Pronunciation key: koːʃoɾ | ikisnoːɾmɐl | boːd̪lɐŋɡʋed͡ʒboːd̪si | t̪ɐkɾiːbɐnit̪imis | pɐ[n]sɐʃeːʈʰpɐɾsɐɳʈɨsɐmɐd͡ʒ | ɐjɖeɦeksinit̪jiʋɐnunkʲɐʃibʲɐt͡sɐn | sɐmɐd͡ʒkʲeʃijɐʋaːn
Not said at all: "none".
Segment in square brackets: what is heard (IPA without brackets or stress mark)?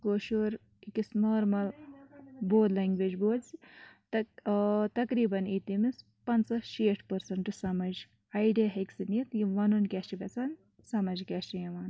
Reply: n